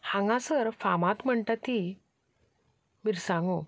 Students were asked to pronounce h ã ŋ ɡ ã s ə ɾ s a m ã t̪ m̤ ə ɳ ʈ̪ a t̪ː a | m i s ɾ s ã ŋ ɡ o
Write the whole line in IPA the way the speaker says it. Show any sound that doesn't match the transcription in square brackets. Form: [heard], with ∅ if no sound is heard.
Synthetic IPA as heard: h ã ŋ ɡ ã s ə ɾ [f] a m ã t̪ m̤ ə ɳ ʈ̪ a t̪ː [i] | m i [∅] ɾ s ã ŋ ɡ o